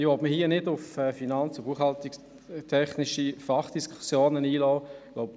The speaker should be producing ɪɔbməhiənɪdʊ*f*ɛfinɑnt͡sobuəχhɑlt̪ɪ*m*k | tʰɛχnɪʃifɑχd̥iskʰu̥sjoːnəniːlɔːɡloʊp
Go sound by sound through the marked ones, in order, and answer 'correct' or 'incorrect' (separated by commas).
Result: correct, incorrect